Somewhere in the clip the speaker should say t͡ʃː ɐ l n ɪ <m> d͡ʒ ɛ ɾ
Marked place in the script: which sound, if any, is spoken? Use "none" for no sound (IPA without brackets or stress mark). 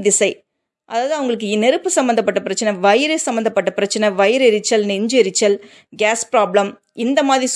ɲ